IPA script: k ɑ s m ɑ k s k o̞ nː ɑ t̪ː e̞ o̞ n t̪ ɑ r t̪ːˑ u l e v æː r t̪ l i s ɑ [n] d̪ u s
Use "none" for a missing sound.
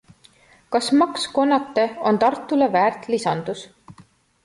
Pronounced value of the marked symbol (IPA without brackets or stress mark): n